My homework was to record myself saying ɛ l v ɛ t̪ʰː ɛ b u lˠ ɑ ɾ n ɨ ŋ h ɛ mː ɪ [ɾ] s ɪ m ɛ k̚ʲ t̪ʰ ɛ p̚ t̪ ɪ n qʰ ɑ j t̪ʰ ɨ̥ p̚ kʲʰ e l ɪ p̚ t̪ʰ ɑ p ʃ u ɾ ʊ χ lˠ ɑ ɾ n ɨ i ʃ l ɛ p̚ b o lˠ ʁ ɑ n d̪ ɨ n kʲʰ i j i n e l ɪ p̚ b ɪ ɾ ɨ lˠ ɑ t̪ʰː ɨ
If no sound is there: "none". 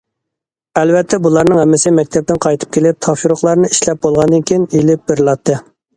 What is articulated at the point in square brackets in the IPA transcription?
none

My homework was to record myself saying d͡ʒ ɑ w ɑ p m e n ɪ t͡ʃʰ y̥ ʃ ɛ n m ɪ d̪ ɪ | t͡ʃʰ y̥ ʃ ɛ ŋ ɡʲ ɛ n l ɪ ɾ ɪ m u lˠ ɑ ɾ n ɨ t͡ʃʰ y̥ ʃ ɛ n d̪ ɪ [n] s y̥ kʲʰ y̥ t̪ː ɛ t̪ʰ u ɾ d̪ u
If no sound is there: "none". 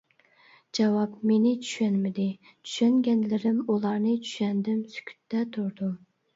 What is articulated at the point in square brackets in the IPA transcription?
m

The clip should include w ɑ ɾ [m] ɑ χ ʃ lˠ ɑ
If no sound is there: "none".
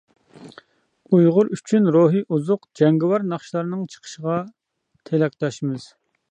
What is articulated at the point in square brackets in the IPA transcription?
n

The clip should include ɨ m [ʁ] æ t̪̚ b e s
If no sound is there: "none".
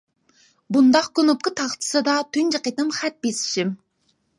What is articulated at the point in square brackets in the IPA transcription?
χ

